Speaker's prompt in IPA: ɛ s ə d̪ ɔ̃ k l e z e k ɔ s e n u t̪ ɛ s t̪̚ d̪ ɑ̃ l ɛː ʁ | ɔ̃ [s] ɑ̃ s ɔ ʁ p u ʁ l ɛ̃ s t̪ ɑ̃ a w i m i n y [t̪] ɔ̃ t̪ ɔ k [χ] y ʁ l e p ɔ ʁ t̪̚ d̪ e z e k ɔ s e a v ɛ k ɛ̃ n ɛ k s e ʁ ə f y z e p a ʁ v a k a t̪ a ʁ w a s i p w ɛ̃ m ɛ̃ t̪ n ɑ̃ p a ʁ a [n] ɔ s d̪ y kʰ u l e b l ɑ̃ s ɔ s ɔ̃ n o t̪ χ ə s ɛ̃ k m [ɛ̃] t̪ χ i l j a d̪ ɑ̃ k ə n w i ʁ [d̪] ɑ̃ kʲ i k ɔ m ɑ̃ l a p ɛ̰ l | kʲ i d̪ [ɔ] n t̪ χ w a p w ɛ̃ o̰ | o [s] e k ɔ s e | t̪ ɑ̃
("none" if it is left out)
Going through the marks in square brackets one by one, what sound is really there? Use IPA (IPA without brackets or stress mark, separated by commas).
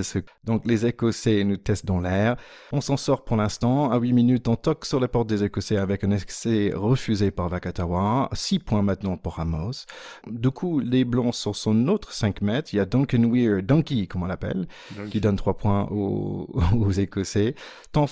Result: s, t̪, s, m, ɛ, d̪, ɔ, z